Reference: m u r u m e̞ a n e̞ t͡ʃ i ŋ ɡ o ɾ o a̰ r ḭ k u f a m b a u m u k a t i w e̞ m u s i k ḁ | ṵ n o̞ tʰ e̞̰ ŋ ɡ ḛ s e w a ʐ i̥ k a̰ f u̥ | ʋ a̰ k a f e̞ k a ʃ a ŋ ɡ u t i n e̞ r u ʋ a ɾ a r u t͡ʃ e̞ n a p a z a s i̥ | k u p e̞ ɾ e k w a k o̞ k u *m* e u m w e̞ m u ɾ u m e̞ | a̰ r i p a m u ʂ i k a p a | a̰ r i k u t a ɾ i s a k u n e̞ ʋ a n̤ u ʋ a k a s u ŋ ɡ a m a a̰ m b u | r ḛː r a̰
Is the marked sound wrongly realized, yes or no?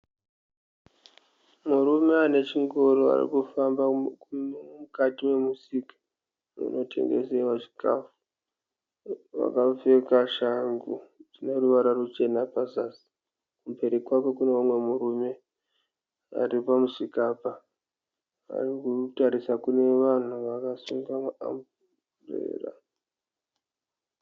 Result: yes